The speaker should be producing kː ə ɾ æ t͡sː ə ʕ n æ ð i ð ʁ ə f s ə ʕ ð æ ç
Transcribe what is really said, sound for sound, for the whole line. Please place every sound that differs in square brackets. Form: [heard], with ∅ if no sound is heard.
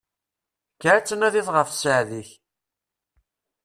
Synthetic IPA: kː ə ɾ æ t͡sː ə [∅] n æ ð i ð ʁ ə f s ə ʕ ð [i] ç